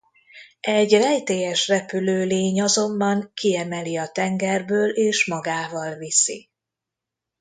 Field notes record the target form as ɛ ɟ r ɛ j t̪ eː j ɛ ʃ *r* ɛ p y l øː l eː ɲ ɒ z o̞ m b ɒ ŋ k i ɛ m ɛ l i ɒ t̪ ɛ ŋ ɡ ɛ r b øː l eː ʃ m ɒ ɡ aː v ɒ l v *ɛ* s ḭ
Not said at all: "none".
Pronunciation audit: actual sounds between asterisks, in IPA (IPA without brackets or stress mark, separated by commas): r, i